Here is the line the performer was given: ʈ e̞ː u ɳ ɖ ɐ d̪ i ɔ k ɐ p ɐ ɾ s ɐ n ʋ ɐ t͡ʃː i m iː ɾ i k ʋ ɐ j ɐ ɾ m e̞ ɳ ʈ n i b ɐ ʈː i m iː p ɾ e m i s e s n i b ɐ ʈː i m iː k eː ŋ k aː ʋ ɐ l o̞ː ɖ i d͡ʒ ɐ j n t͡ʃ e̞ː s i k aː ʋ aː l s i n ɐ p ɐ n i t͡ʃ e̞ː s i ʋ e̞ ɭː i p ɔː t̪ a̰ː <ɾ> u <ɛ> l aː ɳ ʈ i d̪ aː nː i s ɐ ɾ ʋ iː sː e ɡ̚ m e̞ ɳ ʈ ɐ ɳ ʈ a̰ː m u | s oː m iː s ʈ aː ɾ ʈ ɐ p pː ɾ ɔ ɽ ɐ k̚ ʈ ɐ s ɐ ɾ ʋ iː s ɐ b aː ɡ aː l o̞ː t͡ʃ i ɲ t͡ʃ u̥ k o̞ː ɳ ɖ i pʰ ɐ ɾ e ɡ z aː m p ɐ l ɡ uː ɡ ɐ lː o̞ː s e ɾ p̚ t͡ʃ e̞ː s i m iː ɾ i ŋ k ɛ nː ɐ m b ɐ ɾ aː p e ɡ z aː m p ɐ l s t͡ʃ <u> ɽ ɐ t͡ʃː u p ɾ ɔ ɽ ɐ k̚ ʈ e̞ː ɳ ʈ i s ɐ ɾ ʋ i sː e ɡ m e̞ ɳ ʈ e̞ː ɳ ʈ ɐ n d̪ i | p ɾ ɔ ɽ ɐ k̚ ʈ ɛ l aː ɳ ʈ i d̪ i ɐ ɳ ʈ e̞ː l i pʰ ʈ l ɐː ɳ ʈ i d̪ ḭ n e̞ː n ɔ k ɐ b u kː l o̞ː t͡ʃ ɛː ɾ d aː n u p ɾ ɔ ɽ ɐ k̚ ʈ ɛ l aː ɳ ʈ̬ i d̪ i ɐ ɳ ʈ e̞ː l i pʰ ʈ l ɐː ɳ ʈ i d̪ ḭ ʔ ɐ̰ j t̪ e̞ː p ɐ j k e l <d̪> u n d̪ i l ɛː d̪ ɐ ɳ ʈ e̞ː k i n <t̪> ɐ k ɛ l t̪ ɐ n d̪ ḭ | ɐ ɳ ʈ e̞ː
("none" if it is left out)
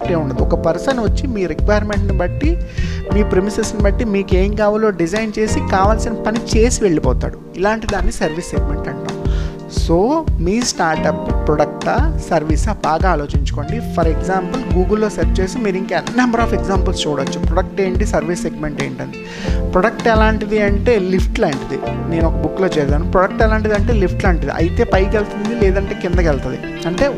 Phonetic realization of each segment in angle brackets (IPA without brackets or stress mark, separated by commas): ɽ, i, uː, t̪, d̪